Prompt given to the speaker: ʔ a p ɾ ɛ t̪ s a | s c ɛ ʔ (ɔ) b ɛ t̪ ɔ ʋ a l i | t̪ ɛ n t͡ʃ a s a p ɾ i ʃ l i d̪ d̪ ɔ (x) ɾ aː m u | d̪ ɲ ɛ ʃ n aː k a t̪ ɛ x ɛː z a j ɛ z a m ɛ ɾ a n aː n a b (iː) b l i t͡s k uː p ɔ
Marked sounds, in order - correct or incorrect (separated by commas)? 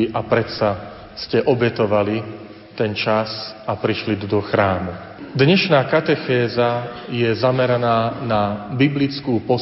correct, correct, incorrect